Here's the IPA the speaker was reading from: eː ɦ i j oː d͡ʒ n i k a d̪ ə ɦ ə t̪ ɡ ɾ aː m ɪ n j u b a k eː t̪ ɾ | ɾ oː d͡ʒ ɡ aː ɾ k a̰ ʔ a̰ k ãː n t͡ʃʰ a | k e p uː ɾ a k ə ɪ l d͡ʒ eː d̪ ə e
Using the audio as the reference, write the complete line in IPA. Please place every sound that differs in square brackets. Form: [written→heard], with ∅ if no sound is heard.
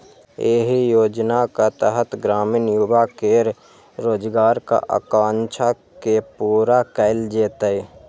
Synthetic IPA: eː ɦ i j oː d͡ʒ n [i→a] k a [d̪→t̪] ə ɦ ə t̪ ɡ ɾ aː m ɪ n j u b a k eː [t̪→∅] ɾ | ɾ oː d͡ʒ ɡ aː ɾ k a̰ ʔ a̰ k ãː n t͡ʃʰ a | k e p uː ɾ a k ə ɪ l d͡ʒ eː [d̪→t̪] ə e

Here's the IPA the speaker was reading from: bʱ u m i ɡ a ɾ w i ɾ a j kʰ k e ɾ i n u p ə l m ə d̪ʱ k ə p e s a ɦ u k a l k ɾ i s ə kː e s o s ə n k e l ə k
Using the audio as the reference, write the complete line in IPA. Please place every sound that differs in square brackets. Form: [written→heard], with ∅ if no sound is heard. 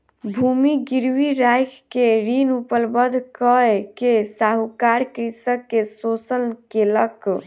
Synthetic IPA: bʱ u m i ɡ [a→i] ɾ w i ɾ a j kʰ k e ɾ i n u p ə l [m→b] ə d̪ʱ k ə [p→k] e s a ɦ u k a [l→ɾ] k ɾ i s ə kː e s o s ə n k e l ə k

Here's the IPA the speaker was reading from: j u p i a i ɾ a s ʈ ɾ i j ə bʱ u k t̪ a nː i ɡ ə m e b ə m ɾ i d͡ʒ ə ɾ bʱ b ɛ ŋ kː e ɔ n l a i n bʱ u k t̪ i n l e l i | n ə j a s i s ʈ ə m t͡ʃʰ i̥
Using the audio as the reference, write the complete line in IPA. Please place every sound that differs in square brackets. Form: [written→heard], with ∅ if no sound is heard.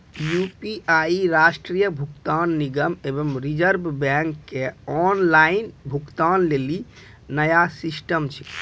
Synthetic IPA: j u p i a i ɾ a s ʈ ɾ i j ə bʱ u k t̪ a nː i ɡ ə m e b ə m ɾ i d͡ʒ ə ɾ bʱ b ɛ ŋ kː e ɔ n l a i n bʱ u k t̪ [i→a] n l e l i | n ə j a s i s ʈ ə m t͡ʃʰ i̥

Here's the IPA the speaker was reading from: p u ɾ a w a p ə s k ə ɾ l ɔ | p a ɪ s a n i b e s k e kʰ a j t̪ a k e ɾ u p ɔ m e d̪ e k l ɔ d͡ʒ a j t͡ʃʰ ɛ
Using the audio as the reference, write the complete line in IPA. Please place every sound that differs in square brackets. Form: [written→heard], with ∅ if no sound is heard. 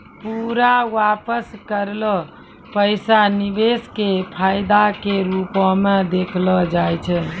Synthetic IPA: p u ɾ a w a p ə s k ə ɾ l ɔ | p [a→ə] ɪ s a n i b e s k e [kʰ→pʰ] a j [t̪→d̪] a k e ɾ u p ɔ m e d̪ e [k→kʰ] l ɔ d͡ʒ a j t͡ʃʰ ɛ

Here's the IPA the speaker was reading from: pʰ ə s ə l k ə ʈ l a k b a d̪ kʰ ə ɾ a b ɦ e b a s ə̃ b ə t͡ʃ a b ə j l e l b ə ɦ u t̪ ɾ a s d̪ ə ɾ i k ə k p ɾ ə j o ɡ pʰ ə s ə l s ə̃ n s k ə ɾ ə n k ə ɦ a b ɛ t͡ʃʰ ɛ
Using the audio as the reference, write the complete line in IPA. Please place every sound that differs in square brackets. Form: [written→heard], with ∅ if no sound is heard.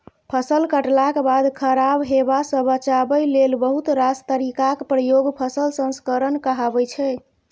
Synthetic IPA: pʰ ə s ə l k ə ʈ l a k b a d̪ kʰ ə ɾ a b ɦ e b a s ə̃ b ə t͡ʃ a b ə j l e l b ə ɦ u t̪ ɾ a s [d̪→t̪] ə ɾ i k [ə→a] k p ɾ ə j o ɡ pʰ ə s ə l s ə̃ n s k ə ɾ ə n k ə ɦ a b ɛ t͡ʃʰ ɛ

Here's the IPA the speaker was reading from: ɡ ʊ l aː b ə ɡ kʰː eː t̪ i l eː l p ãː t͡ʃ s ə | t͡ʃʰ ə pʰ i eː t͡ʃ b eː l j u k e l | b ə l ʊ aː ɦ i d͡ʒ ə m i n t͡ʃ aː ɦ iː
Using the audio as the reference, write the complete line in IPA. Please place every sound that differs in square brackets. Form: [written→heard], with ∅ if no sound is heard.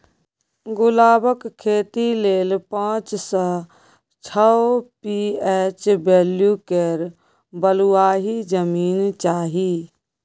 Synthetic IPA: ɡ ʊ l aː b ə [ɡ→k] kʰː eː t̪ i l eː l p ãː t͡ʃ s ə | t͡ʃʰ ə [pʰ→p] i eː t͡ʃ b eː l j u k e [l→ɾ] | b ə l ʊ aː ɦ i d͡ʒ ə m [i→iː] n t͡ʃ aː ɦ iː

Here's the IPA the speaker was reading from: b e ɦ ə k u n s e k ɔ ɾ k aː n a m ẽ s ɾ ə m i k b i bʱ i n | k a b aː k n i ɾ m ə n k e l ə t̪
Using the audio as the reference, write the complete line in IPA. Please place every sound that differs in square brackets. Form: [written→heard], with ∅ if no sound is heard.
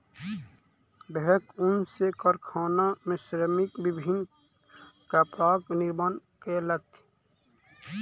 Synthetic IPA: b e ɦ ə k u n s e k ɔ ɾ [k→kʰ] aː n a m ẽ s ɾ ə m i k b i bʱ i n | k a [b→p] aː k n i ɾ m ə n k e l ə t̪

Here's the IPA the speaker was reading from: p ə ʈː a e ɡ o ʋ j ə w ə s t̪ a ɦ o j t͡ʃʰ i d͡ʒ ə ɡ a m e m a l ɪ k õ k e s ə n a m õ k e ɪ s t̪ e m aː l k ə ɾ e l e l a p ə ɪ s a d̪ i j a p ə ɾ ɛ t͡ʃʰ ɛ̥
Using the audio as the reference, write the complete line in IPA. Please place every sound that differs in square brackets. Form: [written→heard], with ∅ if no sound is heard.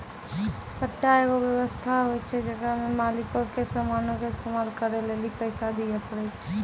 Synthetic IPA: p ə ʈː a e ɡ o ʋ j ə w ə s [t̪→t̪ʰ] a ɦ o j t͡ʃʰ [i→ɛ] d͡ʒ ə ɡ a m e m a l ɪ k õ k e s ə [n→m] a [m→n] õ k e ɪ s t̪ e m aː l k ə ɾ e l e l [a→i] p ə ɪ s a d̪ i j a p ə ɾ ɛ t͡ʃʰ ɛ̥

